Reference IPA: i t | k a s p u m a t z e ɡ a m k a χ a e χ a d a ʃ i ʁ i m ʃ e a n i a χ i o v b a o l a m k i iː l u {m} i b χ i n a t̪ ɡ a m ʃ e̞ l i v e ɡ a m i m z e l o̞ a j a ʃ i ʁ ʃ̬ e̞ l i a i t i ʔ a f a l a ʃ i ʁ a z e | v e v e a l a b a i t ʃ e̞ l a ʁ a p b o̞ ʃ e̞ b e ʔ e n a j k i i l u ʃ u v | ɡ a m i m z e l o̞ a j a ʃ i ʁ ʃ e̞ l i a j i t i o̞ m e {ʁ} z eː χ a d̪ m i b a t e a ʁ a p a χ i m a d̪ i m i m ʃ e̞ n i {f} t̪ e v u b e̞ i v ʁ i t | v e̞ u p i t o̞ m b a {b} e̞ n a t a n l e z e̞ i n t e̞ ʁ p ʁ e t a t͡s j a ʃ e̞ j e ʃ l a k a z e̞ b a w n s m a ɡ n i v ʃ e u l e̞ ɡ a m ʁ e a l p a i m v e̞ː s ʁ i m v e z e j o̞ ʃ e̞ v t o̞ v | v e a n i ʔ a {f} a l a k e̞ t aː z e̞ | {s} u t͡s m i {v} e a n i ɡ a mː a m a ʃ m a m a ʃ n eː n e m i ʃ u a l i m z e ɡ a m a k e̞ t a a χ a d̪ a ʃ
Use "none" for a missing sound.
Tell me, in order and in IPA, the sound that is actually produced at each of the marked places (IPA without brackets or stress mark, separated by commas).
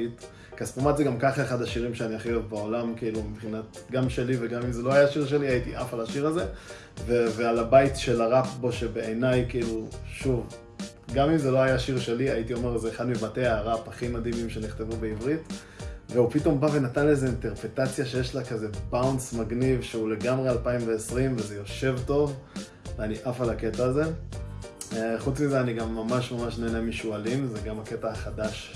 m, ʁ, χ, v, f, χ, z